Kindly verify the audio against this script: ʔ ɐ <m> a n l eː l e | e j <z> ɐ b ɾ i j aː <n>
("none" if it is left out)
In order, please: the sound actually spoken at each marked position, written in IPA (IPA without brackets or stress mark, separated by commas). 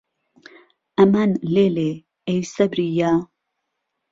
m, s, none